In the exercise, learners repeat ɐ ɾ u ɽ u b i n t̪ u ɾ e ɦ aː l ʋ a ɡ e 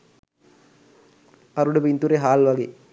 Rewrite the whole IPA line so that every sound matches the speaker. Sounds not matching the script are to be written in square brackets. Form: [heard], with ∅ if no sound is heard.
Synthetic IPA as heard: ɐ ɾ u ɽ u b i n t̪ u ɾ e ɦ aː l ʋ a ɡ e